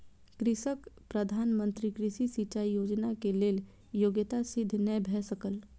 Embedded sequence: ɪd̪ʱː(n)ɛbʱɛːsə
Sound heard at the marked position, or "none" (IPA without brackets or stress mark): n